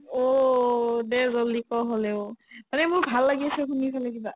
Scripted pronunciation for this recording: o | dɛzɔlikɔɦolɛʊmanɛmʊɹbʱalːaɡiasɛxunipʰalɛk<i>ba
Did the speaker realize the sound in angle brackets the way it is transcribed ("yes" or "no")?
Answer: yes